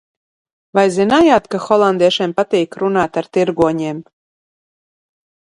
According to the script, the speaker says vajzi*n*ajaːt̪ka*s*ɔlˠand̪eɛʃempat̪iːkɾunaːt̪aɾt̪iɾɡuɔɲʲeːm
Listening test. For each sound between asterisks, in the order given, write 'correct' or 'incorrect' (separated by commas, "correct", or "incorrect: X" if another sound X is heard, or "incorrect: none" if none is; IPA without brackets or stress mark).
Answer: correct, incorrect: x